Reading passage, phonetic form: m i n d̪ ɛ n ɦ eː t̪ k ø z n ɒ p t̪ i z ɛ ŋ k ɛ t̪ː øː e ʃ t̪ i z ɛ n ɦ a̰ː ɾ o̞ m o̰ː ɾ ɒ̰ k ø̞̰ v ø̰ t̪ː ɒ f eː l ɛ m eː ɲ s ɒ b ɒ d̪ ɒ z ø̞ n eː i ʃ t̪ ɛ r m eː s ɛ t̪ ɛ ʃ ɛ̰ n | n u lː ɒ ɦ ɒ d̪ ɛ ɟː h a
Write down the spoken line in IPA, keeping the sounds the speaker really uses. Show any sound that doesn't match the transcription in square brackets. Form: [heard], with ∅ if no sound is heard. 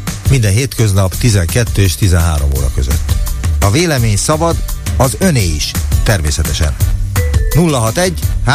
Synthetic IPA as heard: m i n d̪ ɛ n ɦ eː t̪ k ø z n ɒ p t̪ i z ɛ ŋ k ɛ t̪ː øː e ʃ t̪ i z ɛ n ɦ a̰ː ɾ o̞ m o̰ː ɾ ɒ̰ k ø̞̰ [z] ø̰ t̪ː ɒ [v] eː l ɛ m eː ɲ s ɒ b ɒ d̪ ɒ z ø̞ n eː i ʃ t̪ ɛ r m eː s ɛ t̪ ɛ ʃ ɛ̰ n | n u lː ɒ ɦ ɒ [t̪] ɛ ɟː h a